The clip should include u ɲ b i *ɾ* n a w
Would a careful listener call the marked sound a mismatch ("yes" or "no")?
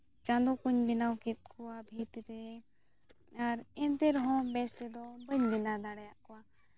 yes